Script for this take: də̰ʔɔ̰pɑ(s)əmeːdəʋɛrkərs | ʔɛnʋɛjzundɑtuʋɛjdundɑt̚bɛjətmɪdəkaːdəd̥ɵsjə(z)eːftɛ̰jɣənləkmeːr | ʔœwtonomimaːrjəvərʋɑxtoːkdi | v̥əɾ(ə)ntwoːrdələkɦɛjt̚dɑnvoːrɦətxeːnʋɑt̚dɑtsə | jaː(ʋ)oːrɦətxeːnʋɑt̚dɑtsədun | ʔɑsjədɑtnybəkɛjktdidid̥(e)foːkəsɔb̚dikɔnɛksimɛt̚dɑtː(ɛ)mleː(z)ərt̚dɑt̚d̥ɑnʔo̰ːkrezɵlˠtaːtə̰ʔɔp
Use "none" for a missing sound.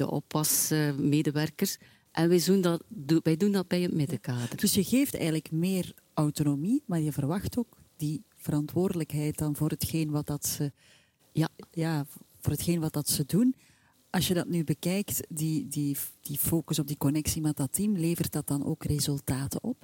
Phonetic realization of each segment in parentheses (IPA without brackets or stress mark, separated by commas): s, ɣ, ɑ, v, i, i, v